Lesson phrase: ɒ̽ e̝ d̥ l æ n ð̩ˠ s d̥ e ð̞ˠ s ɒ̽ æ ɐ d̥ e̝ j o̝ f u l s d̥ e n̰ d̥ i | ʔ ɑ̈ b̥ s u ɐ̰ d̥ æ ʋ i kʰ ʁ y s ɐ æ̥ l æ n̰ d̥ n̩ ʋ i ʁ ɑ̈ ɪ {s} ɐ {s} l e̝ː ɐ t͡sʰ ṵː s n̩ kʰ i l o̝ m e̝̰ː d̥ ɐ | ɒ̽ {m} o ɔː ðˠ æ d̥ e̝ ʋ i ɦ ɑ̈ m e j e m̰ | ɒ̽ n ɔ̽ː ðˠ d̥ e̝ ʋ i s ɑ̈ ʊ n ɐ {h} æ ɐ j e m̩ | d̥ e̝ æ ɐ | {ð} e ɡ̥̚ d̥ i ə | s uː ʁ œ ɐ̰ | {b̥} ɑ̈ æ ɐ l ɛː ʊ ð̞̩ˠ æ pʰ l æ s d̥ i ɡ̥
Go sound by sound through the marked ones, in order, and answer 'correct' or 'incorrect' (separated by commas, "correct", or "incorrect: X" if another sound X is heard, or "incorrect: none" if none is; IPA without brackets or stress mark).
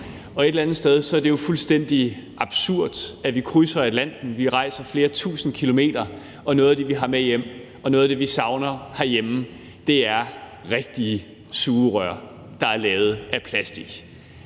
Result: correct, incorrect: f, incorrect: n, correct, incorrect: ʁ, incorrect: d̥